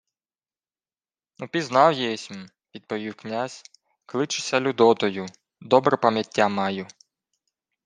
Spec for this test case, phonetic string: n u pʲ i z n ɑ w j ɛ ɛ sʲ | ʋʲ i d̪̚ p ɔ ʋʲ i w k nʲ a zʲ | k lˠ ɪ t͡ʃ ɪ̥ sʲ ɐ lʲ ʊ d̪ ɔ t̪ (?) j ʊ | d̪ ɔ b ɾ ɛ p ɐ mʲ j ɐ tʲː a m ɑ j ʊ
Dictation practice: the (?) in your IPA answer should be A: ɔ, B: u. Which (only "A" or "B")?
A